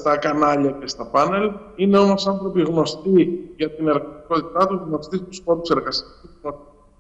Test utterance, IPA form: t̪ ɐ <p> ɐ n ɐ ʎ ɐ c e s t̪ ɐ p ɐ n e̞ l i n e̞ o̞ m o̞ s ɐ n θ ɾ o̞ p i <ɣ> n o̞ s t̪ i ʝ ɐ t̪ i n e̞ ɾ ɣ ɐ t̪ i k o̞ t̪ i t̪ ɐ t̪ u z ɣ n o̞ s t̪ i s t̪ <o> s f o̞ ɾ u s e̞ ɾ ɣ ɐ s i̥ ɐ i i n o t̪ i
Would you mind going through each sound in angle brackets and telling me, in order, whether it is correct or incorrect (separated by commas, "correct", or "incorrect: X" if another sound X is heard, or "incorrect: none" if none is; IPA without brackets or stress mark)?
incorrect: k, correct, incorrect: u